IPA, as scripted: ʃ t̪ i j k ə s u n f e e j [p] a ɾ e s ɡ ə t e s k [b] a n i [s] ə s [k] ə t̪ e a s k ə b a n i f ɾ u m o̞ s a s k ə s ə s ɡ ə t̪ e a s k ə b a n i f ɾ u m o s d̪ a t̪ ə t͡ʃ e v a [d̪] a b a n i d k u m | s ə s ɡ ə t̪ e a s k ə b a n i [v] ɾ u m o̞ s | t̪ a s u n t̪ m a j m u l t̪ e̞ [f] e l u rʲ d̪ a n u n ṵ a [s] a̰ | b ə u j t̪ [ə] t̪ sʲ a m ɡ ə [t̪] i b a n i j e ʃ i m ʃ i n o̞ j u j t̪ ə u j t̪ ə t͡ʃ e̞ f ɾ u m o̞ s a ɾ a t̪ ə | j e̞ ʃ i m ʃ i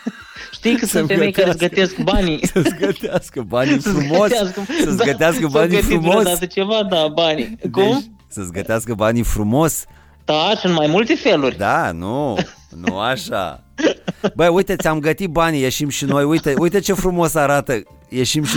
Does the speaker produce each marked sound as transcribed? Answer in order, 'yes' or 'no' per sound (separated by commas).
no, yes, yes, no, yes, no, yes, no, yes, yes